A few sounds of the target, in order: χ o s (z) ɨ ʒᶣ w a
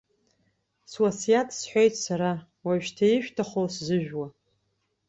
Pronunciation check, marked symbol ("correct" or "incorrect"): correct